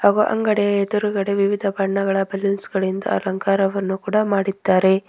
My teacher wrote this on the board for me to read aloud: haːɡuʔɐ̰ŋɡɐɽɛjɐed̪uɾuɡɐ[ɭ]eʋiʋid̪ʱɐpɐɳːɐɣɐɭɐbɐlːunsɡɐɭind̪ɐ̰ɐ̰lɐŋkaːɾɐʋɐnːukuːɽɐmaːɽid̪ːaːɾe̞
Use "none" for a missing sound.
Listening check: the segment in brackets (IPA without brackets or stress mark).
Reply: ɽ